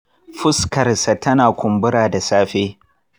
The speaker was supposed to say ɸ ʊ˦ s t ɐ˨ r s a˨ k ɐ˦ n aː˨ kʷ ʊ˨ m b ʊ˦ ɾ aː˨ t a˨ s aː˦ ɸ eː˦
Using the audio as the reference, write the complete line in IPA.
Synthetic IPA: ɸ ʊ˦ s k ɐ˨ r s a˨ t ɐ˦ n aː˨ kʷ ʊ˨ m b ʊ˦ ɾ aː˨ d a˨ s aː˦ ɸ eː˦